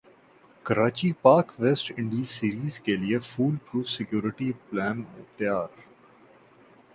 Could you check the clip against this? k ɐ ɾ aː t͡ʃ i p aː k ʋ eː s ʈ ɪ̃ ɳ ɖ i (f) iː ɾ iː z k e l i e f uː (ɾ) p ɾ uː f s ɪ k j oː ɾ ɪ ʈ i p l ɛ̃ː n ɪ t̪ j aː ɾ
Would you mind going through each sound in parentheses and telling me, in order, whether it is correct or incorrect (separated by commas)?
incorrect, incorrect